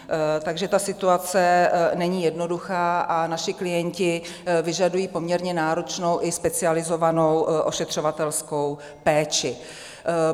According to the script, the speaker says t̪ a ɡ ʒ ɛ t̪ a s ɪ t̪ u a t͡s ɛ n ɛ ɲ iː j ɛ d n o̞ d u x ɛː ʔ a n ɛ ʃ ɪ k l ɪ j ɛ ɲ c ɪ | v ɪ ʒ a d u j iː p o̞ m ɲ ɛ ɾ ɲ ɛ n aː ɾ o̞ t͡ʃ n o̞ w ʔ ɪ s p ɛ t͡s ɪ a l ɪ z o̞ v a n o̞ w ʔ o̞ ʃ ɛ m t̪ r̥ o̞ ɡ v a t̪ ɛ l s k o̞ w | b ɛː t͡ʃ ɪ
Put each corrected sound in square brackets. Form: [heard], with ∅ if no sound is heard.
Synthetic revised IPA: t̪ a ɡ ʒ ɛ t̪ a s ɪ t̪ u a t͡s ɛ n ɛ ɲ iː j ɛ d n o̞ d u x [aː] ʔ a n [a] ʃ ɪ k l ɪ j ɛ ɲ c ɪ | v ɪ ʒ a d u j iː p o̞ m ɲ ɛ ɾ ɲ ɛ n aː ɾ o̞ t͡ʃ n o̞ w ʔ ɪ s p ɛ t͡s ɪ a l ɪ z o̞ v a n o̞ w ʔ o̞ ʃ ɛ [∅] t̪ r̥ o̞ [∅] v a t̪ ɛ l s k o̞ w | [p] ɛː t͡ʃ ɪ

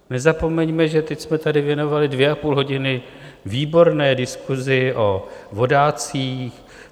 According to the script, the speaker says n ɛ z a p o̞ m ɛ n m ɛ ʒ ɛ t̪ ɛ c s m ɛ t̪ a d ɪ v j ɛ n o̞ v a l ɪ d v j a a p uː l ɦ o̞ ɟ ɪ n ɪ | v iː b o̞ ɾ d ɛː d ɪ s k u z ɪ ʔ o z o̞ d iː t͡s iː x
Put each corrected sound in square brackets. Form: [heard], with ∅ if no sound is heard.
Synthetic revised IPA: n ɛ z a p o̞ m ɛ [ɲ] m ɛ ʒ ɛ t̪ ɛ c s m ɛ t̪ a d ɪ v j ɛ n o̞ v a l ɪ d v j [ɛ] a p uː l ɦ o̞ ɟ ɪ n ɪ | v iː b o̞ ɾ [n] ɛː d ɪ s k u z ɪ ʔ o [v] o̞ d [aː] t͡s iː x

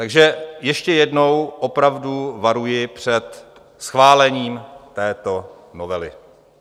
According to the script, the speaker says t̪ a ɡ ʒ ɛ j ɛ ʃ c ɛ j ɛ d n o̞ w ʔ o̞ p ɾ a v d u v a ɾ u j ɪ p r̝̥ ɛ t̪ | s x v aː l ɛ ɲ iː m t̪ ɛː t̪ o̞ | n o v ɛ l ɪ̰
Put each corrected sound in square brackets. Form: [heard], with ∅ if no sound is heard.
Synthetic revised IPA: t̪ a ɡ ʒ ɛ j ɛ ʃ c ɛ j ɛ d n o̞ w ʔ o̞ p ɾ a v d u v a ɾ u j ɪ p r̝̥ ɛ t̪ | s x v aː l ɛ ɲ iː m t̪ ɛː t̪ o̞ | n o v ɛ l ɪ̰

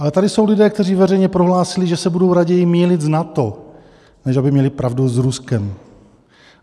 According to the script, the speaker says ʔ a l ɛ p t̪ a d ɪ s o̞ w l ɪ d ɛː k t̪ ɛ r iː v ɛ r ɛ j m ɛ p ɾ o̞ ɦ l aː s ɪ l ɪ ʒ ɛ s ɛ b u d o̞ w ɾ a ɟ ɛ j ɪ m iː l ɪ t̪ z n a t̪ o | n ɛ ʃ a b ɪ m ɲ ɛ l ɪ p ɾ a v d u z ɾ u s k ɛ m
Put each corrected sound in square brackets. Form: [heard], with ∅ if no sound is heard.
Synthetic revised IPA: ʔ a l ɛ [∅] t̪ a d ɪ s o̞ w l ɪ d ɛː k t̪ ɛ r iː v ɛ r ɛ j [ɲ] ɛ p ɾ o̞ ɦ l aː s ɪ l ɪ ʒ ɛ s ɛ b u d o̞ w ɾ a ɟ ɛ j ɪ m iː l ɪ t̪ z n a t̪ o | n ɛ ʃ a b ɪ m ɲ ɛ l ɪ p ɾ a v d u z ɾ u s k ɛ m

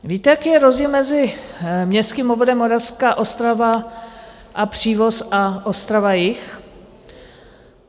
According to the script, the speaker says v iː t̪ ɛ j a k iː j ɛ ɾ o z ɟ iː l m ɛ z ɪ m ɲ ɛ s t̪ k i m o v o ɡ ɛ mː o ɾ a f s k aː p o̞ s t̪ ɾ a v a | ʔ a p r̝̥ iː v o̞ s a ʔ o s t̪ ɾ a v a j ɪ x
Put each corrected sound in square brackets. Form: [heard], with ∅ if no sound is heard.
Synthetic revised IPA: v iː t̪ ɛ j a k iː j ɛ ɾ o z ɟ iː l m ɛ z ɪ m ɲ ɛ s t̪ k i m o v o [d] ɛ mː o ɾ a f s k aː [ʔ] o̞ s t̪ ɾ a v a | ʔ a p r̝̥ iː v o̞ s a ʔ o s t̪ ɾ a v a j ɪ x

